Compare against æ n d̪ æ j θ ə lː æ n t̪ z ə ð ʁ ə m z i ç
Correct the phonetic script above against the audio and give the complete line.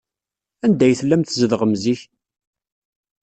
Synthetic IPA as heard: æ n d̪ æ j θ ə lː æ m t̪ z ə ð ʁ ə m z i ç

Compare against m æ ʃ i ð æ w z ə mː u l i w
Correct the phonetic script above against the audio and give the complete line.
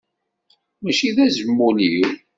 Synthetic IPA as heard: m æ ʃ i ð æ z ə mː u l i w

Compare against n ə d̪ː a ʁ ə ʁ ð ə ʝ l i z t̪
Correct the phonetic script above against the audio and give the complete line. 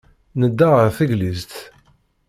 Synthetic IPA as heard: n ə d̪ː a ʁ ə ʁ θ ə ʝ l i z t̪

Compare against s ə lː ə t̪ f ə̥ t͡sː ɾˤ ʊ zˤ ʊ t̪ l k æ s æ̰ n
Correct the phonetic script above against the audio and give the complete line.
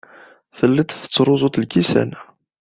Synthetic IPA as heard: θ ə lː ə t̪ θ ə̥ t͡sː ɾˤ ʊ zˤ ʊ t̪ l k i s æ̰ n

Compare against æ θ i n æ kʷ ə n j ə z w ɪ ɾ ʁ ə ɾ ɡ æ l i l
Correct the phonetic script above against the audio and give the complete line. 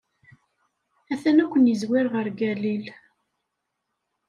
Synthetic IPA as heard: æ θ æ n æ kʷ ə n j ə z w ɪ ɾ ʁ ə ɾ ɡ æ l i l

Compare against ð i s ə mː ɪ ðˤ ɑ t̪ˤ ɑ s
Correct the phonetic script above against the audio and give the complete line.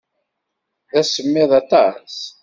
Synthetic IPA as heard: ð æ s ə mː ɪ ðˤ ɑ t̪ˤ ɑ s

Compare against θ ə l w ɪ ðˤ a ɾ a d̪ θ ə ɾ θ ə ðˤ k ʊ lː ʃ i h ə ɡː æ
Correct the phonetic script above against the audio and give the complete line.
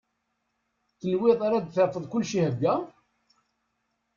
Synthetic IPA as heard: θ ə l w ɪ ðˤ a ɾ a d̪ θ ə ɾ f ə ðˤ k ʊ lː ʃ i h ə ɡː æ

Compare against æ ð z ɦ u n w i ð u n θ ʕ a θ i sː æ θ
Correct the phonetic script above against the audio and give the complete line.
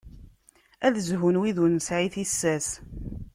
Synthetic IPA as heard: æ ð z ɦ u n w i ð u n s ʕ i θ i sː æ s

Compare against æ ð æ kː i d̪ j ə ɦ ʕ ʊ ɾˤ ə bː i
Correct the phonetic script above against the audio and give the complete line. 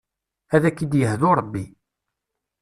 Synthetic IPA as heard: æ ð æ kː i d̪ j ə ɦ ð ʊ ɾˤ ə bː i

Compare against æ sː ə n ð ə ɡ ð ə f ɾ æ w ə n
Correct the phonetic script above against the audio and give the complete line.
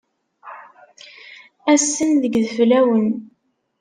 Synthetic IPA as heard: æ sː ə n ð ə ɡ ð ə f l æ w ə n

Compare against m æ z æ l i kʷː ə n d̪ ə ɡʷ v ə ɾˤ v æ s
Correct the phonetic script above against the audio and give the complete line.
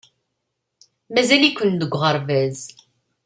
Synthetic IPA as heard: m æ z æ l i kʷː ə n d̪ ə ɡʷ ʁ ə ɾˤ v æ z

